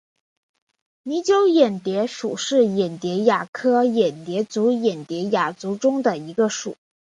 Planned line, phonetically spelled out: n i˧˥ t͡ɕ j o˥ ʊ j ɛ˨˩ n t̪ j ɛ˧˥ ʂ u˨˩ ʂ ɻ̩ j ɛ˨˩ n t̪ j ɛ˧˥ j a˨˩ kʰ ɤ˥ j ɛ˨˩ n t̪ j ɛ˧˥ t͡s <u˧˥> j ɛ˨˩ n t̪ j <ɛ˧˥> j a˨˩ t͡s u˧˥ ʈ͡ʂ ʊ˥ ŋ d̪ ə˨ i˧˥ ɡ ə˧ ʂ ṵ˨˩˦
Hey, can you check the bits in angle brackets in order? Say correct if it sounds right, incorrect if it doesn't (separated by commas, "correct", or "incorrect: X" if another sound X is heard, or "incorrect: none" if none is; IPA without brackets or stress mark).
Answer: correct, correct